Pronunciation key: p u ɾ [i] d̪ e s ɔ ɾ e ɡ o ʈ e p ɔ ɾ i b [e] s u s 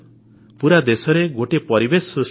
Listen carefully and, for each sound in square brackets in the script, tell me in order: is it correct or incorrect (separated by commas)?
incorrect, correct